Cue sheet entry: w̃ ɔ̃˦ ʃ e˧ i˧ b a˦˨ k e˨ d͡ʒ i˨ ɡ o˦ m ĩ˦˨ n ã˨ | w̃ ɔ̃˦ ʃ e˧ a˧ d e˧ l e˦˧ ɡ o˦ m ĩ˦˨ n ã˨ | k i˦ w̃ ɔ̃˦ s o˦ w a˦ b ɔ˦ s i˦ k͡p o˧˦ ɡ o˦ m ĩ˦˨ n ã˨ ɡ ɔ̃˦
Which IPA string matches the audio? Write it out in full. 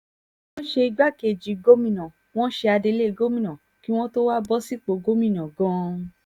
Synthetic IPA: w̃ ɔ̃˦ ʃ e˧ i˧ ɡ͡b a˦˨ k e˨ d͡ʒ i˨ ɡ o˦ m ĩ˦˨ n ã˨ | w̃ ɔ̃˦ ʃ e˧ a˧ d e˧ l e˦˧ ɡ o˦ m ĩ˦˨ n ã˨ | k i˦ w̃ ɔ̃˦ t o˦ w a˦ b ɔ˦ s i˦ k͡p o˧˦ ɡ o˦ m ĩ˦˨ n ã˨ ɡ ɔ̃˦